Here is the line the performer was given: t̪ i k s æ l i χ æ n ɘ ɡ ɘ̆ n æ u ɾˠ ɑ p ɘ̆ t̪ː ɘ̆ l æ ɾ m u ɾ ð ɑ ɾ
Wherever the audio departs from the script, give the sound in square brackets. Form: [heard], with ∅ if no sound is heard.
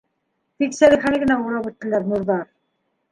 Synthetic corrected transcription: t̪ i k s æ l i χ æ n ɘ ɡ ɘ̆ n æ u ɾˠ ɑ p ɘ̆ t̪ː ɘ̆ l æ ɾ [n] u ɾ ð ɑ ɾ